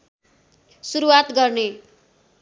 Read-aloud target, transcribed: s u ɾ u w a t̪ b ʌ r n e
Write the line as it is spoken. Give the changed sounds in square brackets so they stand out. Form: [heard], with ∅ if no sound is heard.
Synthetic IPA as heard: s u ɾ u w a t̪ [ɡ] ʌ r n e

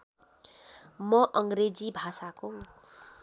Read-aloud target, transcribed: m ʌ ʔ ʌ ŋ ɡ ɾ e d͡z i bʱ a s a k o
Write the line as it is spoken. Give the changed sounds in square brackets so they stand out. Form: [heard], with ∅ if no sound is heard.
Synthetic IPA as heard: m ʌ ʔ ʌ ŋ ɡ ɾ e d͡z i bʱ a s a k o

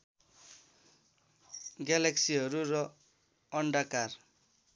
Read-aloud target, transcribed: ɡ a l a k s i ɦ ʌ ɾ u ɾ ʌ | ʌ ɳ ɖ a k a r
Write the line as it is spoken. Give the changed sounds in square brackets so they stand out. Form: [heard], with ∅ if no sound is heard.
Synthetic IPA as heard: ɡ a l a k s i ɦ ʌ ɾ u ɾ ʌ | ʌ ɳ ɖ a k a r

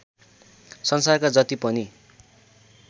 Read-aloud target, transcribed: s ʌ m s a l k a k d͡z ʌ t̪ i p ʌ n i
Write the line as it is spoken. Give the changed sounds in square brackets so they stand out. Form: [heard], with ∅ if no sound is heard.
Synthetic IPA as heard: s ʌ [n] s a [r] k a [∅] d͡z ʌ t̪ i p ʌ n i

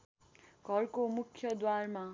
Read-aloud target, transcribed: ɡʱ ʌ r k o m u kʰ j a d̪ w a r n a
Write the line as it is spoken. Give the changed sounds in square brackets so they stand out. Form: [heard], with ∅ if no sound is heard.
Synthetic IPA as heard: ɡʱ ʌ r k o m u kʰ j [ʌ] d̪ w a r [m] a

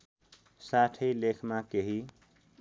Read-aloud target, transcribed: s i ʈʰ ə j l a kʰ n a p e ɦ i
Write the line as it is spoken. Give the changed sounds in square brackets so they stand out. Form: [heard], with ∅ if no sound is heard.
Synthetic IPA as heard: s [a] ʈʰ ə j l [e] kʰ [m] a [k] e ɦ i

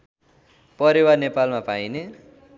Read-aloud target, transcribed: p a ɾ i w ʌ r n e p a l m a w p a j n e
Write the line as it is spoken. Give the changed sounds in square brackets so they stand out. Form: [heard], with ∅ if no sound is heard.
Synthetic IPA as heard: p [ʌ] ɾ i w [a] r n e p a l m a [∅] p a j n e

